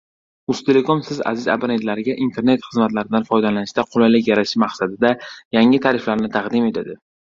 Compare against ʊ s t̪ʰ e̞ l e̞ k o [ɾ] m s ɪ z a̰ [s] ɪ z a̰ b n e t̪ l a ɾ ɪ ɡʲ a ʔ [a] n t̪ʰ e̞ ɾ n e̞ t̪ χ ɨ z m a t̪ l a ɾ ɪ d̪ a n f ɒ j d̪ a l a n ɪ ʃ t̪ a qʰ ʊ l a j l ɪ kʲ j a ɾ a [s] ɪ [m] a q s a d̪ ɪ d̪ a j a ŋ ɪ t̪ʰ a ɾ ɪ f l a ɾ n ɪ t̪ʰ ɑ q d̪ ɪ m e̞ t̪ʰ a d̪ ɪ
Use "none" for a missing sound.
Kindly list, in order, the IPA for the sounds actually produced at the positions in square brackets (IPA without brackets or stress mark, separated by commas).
none, z, i, ʃ, m